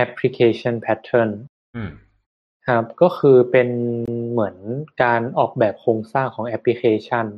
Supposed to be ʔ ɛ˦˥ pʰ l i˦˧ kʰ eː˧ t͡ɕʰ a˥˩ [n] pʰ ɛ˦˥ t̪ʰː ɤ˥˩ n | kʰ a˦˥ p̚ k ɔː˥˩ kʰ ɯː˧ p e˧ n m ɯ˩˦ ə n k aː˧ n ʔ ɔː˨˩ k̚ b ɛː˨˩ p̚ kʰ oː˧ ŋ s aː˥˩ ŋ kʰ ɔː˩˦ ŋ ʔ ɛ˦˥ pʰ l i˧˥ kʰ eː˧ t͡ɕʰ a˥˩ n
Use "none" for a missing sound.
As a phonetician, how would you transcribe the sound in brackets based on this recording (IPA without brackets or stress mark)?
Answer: n